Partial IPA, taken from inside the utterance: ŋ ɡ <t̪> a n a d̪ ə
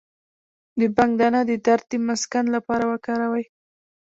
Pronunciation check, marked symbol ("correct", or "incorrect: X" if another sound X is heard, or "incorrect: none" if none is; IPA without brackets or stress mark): incorrect: d̪